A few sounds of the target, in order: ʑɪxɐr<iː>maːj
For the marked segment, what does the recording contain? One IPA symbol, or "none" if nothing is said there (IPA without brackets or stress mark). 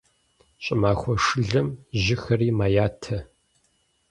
iː